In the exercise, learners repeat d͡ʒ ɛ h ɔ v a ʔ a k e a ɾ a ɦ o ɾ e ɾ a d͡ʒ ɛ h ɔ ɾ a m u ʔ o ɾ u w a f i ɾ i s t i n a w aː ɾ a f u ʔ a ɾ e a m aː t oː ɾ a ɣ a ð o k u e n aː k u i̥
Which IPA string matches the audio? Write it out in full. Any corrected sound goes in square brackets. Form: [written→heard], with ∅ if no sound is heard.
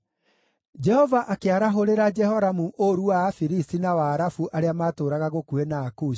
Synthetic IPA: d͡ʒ ɛ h ɔ v a ʔ a k e a ɾ a ɦ o ɾ e ɾ a d͡ʒ ɛ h ɔ ɾ a m u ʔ o ɾ u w a f i ɾ i s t i n a w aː ɾ a f u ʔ a ɾ e a m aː t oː ɾ a ɣ a [ð→ɣ] o k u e n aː k u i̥